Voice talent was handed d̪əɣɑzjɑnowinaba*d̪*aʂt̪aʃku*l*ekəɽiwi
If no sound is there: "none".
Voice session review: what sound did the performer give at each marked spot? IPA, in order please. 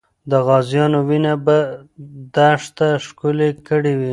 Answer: d̪, l

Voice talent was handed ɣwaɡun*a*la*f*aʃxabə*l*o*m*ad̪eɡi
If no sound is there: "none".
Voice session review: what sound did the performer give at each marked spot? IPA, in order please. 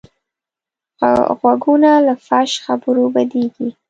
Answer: a, f, ɾ, b

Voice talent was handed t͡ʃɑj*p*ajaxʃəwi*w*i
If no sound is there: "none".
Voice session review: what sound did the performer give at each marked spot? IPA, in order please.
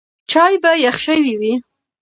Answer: b, w

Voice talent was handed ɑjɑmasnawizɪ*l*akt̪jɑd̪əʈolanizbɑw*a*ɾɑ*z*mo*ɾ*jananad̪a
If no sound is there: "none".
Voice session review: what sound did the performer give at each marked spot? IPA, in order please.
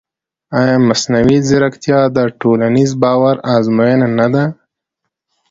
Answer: ɾ, a, z, none

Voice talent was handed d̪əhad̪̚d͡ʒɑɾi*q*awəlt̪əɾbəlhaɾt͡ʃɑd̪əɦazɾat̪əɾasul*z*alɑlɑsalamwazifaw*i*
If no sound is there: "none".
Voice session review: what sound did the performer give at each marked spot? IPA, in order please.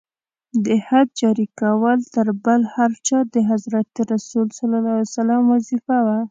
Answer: k, s, a

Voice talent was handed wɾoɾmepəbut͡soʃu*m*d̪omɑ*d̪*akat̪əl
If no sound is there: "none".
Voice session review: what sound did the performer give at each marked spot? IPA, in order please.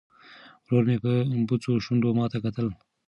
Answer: n, t̪

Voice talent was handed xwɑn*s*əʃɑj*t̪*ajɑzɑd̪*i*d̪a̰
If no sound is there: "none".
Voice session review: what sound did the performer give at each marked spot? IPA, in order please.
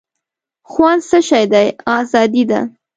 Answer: s, d̪, i

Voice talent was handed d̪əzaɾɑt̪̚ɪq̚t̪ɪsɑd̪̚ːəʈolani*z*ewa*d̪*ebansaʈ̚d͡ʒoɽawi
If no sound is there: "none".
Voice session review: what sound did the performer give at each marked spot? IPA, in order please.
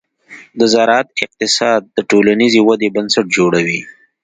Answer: z, d̪

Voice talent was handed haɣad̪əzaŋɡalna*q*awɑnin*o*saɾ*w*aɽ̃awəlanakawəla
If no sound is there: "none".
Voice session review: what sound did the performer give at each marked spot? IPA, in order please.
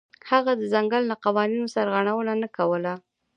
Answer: q, o, ɣ

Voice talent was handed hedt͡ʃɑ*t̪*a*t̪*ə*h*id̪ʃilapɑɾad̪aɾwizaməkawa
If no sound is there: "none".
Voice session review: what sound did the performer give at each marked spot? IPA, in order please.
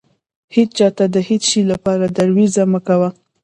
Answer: t̪, d̪, h

